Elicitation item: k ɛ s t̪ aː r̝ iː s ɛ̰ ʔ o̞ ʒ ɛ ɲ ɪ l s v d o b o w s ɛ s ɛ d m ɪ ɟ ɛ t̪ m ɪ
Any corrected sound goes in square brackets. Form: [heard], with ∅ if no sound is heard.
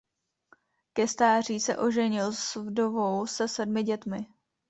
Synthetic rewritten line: k ɛ s t̪ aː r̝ iː s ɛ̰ ʔ o̞ ʒ ɛ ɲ ɪ l s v d o [v] o w s ɛ s ɛ d m ɪ ɟ ɛ t̪ m ɪ